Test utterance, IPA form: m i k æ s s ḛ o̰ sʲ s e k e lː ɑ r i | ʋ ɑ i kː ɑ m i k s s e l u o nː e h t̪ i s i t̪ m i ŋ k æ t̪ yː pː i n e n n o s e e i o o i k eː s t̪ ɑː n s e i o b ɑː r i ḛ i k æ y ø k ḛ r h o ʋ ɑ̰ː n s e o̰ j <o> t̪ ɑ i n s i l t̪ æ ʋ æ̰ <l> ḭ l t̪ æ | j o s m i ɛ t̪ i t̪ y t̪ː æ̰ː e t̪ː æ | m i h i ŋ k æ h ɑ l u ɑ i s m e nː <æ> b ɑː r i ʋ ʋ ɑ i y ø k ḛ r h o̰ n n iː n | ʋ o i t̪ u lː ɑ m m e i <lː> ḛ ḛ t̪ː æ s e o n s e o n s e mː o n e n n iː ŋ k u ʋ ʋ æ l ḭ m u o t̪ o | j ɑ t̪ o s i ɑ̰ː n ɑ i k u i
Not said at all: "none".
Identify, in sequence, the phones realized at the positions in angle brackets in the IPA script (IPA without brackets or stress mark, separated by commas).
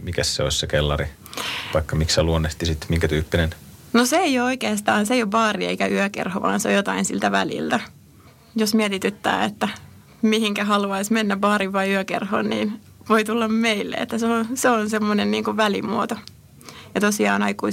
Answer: o, l, æ, lː